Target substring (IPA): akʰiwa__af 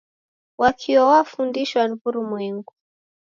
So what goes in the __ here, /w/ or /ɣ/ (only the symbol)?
w